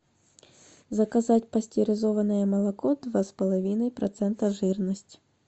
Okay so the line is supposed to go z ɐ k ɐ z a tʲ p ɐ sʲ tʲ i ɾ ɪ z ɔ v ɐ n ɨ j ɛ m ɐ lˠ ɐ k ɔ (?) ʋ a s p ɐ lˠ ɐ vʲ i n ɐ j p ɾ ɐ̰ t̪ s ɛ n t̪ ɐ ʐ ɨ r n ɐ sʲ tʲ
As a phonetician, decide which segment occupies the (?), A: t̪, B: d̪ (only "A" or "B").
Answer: B